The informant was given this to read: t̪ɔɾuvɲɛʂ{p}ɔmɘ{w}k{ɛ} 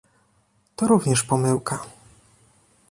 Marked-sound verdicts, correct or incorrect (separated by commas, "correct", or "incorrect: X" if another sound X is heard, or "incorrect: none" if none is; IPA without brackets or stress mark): correct, correct, incorrect: a